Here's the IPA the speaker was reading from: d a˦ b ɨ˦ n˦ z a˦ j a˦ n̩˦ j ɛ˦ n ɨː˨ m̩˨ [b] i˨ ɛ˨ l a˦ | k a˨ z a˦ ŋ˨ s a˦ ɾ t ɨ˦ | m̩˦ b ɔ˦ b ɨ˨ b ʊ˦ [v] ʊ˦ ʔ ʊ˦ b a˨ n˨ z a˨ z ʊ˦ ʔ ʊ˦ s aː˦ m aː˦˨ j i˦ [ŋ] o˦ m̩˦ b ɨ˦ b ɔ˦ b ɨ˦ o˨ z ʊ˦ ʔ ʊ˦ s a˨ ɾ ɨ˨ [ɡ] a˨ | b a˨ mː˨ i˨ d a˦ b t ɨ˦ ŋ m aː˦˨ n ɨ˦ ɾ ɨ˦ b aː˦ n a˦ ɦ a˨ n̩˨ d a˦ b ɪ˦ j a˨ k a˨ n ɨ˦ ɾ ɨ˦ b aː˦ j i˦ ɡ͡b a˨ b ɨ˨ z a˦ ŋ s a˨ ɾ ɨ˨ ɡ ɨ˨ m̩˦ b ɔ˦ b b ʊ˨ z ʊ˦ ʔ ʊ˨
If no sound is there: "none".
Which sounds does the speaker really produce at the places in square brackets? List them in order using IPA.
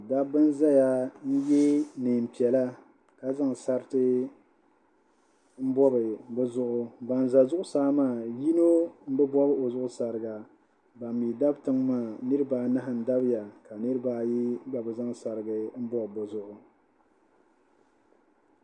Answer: p, z, n, ɡ

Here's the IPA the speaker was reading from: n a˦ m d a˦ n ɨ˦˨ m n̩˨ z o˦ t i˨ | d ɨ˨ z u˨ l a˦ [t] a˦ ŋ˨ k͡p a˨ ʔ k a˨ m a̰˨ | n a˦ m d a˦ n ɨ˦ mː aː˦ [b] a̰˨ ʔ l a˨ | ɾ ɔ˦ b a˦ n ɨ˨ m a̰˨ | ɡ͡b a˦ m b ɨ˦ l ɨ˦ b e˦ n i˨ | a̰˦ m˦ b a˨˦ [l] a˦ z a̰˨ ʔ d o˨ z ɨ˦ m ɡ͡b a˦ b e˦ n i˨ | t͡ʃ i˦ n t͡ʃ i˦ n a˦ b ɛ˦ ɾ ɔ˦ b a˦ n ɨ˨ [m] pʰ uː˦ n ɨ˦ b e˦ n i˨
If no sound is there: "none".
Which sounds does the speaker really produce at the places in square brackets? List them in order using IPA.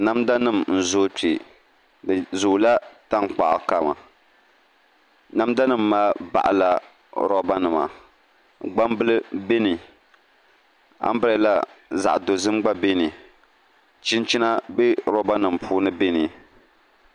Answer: t, b, l, m

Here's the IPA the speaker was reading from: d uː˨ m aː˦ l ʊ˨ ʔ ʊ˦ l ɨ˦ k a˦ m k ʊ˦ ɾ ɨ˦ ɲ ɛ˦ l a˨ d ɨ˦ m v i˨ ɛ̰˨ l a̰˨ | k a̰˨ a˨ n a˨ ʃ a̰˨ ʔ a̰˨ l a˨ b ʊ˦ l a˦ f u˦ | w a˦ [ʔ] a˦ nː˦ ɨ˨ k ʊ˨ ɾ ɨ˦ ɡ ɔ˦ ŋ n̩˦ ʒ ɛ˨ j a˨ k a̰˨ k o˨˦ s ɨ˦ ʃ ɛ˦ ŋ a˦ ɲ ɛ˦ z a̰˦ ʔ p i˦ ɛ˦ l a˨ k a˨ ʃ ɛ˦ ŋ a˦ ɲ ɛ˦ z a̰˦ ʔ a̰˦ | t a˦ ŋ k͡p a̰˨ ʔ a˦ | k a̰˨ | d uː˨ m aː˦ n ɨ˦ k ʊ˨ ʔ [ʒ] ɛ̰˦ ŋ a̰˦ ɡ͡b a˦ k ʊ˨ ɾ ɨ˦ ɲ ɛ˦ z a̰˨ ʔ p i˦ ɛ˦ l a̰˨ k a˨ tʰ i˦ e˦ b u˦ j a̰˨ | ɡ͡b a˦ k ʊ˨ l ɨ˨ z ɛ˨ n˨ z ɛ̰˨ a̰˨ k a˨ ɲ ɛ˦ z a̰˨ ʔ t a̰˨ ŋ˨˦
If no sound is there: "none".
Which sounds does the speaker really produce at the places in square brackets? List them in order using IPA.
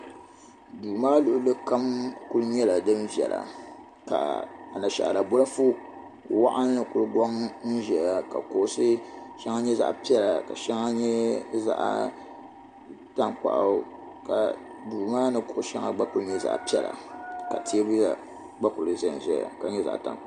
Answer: ʔ, ʃ

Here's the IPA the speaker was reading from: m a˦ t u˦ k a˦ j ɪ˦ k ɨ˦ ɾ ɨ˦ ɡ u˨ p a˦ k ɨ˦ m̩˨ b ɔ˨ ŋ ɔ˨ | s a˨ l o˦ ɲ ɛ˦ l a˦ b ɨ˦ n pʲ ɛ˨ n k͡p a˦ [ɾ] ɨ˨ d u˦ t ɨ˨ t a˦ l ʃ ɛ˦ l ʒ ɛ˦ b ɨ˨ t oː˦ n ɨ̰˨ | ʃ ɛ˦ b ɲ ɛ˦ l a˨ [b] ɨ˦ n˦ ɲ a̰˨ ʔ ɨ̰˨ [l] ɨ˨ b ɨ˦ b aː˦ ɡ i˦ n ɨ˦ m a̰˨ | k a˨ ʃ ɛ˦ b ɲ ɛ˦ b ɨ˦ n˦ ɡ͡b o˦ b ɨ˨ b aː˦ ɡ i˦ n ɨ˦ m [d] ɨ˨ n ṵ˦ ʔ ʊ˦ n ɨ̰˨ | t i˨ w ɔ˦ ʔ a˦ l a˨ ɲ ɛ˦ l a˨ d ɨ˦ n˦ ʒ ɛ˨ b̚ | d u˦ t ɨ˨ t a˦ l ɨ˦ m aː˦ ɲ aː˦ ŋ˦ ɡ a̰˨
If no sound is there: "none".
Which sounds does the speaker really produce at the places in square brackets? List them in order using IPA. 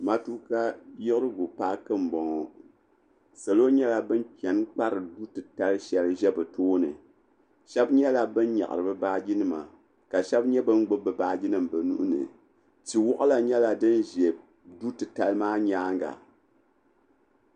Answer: ɾ, b, ɾ, b

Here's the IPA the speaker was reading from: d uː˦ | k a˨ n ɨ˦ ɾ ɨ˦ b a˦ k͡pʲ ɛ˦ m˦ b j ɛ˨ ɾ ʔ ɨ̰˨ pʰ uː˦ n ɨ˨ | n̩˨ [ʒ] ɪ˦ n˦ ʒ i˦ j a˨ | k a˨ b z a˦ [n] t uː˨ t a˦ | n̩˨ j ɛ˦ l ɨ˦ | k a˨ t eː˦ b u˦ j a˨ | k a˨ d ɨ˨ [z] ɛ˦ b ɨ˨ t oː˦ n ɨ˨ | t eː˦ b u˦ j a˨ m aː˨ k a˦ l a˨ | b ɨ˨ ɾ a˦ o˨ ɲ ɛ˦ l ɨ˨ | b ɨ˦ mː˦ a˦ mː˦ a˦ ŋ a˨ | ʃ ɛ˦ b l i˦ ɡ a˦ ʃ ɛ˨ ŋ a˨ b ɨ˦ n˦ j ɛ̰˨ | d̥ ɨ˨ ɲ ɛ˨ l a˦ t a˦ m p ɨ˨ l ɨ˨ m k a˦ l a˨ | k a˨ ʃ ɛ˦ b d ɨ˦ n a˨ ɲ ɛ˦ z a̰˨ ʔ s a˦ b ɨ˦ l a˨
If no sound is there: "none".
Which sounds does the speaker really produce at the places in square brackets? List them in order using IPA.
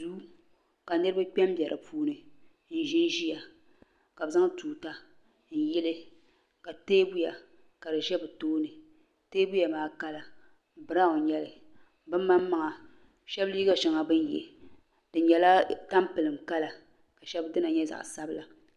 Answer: ʒ, ŋ, ʒ

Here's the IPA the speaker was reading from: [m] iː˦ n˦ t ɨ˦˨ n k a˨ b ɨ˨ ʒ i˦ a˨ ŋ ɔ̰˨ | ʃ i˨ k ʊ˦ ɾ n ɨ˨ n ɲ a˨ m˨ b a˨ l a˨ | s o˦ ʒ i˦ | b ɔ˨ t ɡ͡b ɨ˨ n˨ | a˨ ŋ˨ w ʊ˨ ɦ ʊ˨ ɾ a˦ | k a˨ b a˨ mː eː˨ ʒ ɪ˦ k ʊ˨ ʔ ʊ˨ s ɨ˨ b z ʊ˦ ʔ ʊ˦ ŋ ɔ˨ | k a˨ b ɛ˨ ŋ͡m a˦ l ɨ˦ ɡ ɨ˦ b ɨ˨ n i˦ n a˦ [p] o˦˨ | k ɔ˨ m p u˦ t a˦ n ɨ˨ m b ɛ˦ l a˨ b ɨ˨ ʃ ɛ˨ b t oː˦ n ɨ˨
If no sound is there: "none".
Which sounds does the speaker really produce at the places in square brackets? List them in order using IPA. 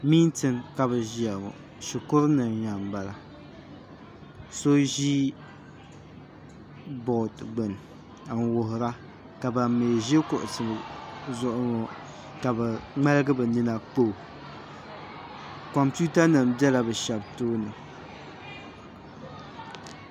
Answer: m, k͡p

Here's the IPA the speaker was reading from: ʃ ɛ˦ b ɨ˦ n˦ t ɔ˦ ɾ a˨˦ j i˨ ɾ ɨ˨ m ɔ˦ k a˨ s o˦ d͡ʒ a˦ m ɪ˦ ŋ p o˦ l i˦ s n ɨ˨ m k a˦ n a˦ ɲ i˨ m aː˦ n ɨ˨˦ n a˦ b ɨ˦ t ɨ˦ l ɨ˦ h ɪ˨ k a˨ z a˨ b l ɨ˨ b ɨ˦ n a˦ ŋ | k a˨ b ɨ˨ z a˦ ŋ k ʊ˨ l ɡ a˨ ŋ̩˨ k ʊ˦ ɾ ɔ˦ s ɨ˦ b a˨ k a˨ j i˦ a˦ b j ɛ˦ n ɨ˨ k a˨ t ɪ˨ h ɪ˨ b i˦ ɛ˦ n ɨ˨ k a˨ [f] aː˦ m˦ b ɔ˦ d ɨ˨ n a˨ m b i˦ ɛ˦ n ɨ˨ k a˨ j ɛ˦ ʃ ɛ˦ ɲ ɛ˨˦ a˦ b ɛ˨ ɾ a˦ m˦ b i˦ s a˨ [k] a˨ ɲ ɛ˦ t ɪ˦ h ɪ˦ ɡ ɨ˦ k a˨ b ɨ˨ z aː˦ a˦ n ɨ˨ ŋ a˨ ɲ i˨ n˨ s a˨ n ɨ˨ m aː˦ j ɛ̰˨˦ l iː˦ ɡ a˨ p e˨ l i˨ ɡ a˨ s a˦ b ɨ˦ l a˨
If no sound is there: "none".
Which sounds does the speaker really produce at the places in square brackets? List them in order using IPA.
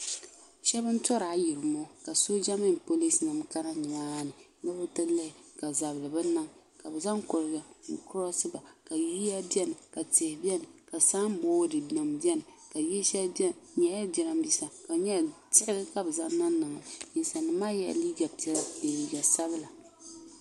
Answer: s, k

